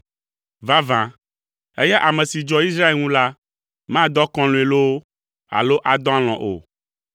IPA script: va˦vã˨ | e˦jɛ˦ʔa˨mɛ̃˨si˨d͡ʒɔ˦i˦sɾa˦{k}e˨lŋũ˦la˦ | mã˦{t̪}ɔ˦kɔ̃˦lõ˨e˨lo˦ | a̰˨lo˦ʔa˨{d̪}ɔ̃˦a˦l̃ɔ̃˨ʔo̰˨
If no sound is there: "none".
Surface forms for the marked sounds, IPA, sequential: none, d̪, d̪

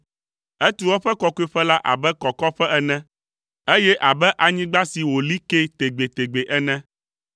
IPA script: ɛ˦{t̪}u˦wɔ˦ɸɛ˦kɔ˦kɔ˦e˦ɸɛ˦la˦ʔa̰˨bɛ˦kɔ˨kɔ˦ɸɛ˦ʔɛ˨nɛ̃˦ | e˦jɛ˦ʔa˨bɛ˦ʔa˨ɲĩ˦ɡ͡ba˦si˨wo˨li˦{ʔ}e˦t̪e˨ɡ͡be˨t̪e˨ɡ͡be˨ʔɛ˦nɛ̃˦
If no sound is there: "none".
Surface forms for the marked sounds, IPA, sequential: t̪, k

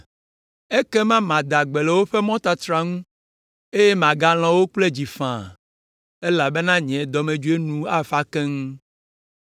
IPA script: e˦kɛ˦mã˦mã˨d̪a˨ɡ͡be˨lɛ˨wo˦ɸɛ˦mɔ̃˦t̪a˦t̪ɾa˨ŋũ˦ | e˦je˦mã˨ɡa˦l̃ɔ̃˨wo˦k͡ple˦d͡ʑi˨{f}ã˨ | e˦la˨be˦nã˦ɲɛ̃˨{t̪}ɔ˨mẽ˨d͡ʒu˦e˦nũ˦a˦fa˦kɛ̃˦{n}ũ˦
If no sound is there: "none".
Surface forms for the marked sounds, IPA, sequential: f, d̪, ŋ

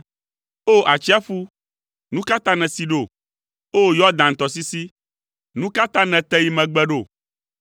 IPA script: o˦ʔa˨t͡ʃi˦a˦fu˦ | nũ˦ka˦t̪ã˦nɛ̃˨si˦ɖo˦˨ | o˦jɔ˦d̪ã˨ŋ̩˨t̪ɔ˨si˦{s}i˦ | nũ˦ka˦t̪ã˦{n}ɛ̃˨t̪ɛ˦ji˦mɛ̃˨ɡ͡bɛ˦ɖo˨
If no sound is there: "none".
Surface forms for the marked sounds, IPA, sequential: s, n

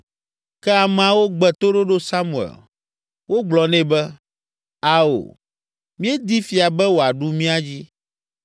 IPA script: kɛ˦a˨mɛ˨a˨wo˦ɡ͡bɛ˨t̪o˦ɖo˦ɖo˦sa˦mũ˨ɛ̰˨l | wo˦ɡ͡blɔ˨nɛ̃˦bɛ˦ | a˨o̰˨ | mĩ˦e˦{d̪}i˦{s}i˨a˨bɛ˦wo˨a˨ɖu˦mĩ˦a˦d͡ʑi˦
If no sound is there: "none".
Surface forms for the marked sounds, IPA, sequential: d̪, f

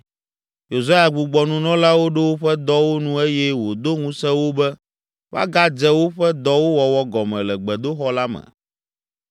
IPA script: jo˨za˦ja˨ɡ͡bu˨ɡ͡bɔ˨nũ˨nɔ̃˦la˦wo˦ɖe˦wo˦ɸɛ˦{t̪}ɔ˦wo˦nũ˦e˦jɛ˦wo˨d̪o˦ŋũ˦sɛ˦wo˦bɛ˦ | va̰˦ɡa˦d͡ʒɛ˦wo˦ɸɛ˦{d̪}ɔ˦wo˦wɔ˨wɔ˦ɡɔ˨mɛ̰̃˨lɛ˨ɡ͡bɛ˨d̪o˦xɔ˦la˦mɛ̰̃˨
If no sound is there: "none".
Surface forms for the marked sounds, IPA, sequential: d̪, d̪

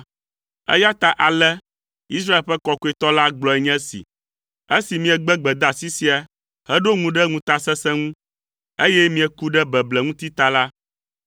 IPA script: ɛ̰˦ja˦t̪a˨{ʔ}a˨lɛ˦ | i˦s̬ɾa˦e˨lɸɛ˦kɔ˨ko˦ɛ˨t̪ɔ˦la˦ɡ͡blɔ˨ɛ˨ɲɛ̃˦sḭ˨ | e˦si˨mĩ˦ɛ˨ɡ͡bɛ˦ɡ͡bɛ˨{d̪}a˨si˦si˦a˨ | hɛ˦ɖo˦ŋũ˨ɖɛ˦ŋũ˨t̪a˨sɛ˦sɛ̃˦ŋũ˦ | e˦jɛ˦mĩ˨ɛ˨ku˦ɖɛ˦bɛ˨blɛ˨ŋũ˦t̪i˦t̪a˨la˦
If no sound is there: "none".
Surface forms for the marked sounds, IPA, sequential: ʔ, d̪

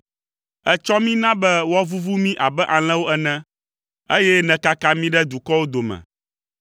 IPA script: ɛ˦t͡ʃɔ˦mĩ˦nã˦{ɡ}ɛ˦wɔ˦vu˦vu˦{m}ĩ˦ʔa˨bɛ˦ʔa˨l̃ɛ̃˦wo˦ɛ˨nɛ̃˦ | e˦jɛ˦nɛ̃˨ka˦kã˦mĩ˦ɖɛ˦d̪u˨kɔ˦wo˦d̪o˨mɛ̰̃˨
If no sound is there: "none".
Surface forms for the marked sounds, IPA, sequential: b, m

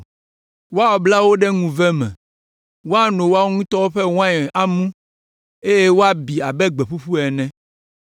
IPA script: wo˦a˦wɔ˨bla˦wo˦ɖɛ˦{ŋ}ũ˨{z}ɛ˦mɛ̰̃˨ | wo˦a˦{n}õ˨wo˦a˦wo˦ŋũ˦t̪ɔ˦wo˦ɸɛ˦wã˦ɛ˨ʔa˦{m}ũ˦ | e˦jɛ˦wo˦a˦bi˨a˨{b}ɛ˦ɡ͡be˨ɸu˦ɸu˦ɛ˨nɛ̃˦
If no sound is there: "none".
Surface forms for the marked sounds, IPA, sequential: ŋ, v, n, m, b

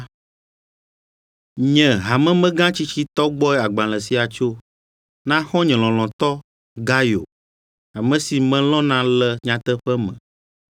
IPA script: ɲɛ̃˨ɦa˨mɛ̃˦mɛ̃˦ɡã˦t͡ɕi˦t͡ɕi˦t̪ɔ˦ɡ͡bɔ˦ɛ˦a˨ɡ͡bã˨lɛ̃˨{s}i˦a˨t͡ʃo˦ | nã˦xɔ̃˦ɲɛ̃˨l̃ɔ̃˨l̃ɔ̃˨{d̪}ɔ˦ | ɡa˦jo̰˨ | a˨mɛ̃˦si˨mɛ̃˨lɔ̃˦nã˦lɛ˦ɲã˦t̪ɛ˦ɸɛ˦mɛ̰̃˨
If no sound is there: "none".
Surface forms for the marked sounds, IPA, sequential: s, t̪

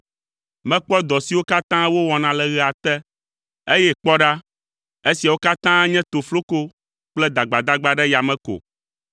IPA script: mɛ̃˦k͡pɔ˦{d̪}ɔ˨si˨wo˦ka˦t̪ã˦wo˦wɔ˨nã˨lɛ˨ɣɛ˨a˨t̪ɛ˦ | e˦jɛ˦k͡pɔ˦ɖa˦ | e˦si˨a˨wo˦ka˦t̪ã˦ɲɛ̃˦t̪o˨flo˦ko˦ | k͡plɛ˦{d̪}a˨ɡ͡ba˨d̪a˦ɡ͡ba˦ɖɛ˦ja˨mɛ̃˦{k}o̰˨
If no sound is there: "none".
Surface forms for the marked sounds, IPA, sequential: d̪, d̪, k

